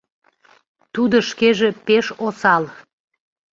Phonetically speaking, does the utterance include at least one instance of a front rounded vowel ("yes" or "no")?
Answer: no